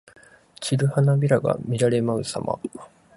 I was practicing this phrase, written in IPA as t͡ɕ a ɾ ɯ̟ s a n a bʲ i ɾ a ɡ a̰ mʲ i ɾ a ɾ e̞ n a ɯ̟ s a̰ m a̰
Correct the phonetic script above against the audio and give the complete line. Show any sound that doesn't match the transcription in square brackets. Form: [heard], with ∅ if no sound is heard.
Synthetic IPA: t͡ɕ [i] ɾ ɯ̟ [h] a n a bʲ i ɾ a ɡ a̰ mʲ i ɾ a ɾ e̞ [m] a ɯ̟ s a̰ m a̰